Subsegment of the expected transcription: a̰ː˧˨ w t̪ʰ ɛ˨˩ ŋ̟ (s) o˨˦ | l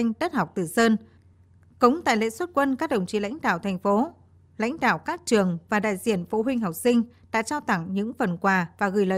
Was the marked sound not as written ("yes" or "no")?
yes